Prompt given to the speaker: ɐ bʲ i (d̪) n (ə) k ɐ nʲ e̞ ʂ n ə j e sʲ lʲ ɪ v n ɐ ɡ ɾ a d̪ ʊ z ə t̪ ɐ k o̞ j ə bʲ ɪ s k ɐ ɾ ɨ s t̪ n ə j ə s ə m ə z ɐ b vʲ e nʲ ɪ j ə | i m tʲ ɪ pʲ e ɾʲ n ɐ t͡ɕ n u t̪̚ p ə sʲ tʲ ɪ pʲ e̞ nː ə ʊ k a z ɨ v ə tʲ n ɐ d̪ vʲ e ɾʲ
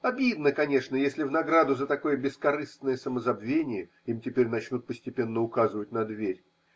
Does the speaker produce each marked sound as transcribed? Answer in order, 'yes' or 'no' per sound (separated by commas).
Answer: yes, yes